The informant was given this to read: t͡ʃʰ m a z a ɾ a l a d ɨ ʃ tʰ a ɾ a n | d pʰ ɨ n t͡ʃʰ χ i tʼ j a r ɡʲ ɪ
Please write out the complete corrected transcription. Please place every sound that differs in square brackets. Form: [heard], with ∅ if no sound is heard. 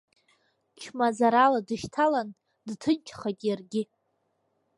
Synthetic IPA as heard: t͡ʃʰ m a z a ɾ a l a d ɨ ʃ tʰ a [l] a n | d [tʰ] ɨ n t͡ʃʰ χ [a] tʼ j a r ɡʲ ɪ